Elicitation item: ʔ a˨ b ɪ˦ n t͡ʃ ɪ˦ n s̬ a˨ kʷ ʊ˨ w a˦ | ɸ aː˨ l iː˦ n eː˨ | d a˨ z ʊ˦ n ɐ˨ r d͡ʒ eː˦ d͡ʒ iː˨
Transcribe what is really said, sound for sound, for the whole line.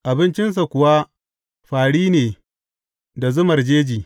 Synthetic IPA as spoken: ʔ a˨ b ɪ˦ n t͡ʃ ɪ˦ n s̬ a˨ kʷ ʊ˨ w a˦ | ɸ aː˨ ɽ iː˦ n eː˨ | d a˨ z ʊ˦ m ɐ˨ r d͡ʒ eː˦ d͡ʒ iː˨